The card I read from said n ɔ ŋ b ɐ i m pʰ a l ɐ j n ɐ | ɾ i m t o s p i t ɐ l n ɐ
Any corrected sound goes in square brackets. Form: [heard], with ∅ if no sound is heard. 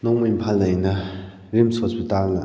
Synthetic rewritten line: n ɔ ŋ [m] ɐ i m pʰ a l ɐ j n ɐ | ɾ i m [s] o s p i t [a] l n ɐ